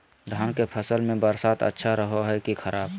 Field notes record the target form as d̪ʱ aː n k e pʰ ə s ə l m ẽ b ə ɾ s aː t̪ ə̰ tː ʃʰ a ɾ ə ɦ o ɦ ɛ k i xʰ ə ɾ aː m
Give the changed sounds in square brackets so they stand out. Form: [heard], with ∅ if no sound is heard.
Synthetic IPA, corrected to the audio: d̪ʱ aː n k e pʰ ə s ə l m ẽ b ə ɾ s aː t̪ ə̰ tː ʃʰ a ɾ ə ɦ o ɦ ɛ k i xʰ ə ɾ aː [b]